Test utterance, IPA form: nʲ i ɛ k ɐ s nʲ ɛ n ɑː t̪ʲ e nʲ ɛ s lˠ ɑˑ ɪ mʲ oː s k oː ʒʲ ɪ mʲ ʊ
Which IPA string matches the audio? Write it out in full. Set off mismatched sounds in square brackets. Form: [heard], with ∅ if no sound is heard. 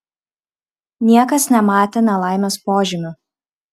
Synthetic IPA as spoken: nʲ i ɛ k ɐ s nʲ ɛ [m] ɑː t̪ʲ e nʲ ɛ [∅] lˠ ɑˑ ɪ mʲ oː s [p] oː ʒʲ ɪ mʲ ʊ